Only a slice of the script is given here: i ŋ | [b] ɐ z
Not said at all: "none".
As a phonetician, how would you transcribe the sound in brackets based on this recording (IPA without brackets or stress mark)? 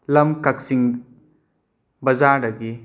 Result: b